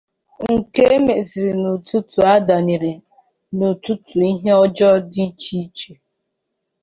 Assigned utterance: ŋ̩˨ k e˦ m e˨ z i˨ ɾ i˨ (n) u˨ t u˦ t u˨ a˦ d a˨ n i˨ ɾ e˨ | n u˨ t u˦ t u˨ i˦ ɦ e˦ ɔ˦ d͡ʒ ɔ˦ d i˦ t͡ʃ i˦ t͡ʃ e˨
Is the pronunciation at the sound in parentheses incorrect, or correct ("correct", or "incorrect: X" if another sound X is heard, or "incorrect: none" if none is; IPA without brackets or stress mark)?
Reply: correct